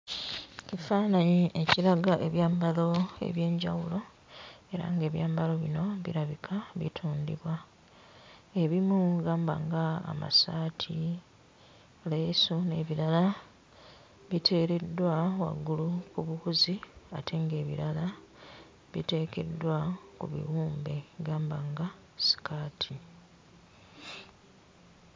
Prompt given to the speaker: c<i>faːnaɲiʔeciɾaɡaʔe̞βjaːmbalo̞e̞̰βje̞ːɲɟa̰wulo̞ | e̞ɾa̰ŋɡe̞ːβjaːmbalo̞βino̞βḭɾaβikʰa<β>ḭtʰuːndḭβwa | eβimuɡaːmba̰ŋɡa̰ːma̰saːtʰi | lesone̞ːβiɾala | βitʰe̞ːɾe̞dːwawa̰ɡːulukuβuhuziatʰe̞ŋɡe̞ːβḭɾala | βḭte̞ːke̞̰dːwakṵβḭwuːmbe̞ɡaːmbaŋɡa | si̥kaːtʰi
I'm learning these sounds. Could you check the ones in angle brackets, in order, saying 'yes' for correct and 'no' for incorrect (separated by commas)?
yes, yes